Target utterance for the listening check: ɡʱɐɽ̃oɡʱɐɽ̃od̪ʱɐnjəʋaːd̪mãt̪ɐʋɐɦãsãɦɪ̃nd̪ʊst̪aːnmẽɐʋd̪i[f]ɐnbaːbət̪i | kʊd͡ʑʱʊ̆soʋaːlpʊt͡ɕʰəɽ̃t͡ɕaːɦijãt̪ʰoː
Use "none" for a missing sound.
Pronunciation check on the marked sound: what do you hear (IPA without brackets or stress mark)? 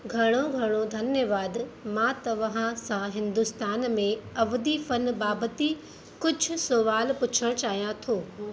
f